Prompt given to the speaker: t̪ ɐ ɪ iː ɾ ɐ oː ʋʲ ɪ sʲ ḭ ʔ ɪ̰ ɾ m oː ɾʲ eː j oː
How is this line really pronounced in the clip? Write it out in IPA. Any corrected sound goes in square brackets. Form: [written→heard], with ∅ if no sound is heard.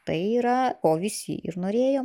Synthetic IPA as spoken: t̪ ɐ ɪ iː ɾ ɐ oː ʋʲ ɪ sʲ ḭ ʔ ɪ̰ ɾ [m→n] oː ɾʲ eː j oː